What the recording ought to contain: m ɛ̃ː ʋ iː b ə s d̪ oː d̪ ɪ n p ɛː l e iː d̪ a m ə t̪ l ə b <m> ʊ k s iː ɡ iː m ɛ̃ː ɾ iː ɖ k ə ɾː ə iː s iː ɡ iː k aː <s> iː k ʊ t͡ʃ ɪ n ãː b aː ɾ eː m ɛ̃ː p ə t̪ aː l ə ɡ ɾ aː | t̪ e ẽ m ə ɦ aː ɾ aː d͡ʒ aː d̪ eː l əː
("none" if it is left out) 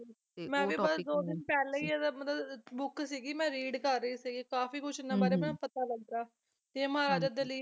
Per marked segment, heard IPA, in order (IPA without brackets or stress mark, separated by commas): b, f